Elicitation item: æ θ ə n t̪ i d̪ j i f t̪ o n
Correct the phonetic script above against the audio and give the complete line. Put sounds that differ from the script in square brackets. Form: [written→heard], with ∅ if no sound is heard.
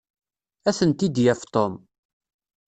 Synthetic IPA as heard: æ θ ə n t̪ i d̪ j [i→æ] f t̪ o [n→m]

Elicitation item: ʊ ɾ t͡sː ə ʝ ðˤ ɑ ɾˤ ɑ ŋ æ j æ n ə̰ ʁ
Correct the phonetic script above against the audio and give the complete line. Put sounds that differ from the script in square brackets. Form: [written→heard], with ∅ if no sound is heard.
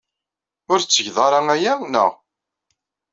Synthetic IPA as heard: ʊ ɾ t͡sː ə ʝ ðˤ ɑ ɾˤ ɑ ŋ æ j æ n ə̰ ʁ

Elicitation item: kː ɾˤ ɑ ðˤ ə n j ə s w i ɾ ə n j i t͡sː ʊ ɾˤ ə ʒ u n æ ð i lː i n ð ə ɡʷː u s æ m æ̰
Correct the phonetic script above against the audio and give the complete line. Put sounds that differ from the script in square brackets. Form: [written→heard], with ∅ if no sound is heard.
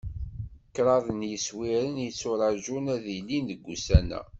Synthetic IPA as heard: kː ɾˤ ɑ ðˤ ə n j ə s w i ɾ ə n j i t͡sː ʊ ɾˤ [ə→ɑ] ʒ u n æ ð i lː i n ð ə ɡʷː u s æ [m→n] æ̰

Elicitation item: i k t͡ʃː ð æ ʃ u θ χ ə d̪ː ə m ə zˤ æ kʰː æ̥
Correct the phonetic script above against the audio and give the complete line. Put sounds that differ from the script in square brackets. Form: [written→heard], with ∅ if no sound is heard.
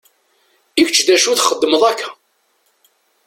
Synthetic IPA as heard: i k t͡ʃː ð æ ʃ u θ χ ə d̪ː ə m ə [zˤ→ðˤ] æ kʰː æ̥

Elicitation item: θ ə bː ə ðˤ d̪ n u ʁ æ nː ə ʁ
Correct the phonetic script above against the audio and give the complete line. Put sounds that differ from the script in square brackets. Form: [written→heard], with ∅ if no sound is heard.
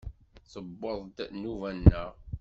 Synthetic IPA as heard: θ ə bː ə ðˤ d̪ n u [ʁ→v] æ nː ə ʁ

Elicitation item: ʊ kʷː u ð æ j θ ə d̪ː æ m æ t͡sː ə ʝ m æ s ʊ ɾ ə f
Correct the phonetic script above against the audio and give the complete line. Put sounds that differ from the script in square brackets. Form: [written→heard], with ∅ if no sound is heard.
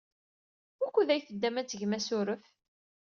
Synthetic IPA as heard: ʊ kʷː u ð æ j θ ə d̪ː æ m æ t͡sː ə ʝ m æ s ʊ ɾ ə f

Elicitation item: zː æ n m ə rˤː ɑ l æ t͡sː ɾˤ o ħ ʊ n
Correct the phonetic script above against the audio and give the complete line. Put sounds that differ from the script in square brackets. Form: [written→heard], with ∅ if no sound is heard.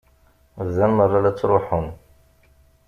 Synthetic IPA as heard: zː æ n m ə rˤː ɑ l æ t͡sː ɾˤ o ħ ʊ n

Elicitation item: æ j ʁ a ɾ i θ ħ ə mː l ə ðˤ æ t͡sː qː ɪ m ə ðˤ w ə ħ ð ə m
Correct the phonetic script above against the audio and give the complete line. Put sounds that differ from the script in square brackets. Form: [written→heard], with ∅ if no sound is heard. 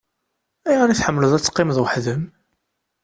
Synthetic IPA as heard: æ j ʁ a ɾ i θ ħ ə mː l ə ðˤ æ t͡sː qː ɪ m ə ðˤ w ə ħ ð ə m

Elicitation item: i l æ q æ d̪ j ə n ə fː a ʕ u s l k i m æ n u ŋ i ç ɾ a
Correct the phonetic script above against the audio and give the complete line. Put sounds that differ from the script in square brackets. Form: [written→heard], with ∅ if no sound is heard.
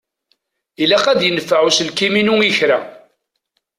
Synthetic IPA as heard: i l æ q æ d̪ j ə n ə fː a ʕ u s l k i m [æ→i] n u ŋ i ç ɾ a

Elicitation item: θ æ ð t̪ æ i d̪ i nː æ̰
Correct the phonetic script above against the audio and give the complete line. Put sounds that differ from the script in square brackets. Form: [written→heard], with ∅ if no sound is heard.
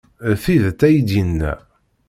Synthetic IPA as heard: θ [æ→i] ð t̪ æ [i→j] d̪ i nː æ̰

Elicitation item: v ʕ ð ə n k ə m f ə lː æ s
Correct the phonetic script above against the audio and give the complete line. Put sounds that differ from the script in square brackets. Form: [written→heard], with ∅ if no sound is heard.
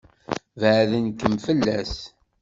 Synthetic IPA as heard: v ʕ ð ə n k ə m f ə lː æ s

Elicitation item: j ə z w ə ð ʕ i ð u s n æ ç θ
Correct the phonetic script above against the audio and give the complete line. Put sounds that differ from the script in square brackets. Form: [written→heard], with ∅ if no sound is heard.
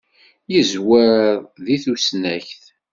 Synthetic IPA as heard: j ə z w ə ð [ʕ→ð] i [ð→θ] u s n æ ç θ

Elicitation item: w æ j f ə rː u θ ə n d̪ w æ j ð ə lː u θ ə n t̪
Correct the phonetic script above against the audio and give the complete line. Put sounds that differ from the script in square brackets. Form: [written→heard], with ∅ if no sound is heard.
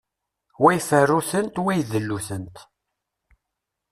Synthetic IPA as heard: w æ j f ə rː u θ ə n [d̪→t̪] w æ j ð ə lː u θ ə n t̪

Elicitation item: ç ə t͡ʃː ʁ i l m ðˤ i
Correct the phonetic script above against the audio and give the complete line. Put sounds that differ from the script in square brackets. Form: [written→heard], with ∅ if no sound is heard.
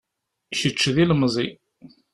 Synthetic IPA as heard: ç ə t͡ʃː [ʁ→ð] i l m [ðˤ→zˤ] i

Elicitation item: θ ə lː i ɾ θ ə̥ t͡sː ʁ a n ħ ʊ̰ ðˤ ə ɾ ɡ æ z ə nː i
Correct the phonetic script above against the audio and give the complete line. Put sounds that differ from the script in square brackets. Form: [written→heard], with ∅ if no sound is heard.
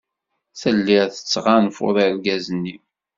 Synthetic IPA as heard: θ ə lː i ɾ θ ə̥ t͡sː ʁ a n [ħ→f] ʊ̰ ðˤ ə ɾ ɡ æ z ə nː i

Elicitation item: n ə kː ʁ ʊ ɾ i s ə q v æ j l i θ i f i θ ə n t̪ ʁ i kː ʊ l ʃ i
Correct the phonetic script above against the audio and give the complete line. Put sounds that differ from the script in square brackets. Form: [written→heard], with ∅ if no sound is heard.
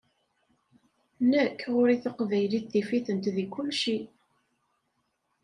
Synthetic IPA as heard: n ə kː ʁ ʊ ɾ i [s→θ] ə q v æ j l i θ i f i θ ə n t̪ [ʁ→ð] i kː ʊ l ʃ i

